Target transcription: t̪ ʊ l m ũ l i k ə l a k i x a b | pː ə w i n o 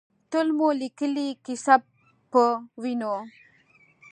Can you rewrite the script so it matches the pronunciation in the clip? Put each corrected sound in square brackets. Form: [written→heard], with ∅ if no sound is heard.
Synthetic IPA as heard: t̪ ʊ l m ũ l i k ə l [a→i] k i [x→s] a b | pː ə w i n o